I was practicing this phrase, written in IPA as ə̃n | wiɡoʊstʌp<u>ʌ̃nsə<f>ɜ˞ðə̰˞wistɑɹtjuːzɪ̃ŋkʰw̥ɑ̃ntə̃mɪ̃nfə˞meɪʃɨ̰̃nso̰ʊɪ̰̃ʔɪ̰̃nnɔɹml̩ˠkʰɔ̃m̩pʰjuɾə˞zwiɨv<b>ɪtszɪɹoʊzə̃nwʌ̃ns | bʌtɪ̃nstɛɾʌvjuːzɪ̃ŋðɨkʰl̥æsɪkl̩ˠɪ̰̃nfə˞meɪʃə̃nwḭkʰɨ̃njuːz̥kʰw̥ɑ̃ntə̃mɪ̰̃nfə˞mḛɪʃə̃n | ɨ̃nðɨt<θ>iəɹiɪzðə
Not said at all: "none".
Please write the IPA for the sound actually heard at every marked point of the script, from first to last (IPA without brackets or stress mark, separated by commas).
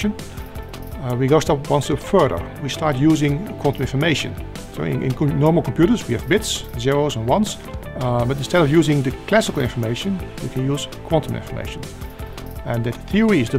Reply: w, f, b, θ